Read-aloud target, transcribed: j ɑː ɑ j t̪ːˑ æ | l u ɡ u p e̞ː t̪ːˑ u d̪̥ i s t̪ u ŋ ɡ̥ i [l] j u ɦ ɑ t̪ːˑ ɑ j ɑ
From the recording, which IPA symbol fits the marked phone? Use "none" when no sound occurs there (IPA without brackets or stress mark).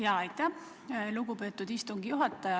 none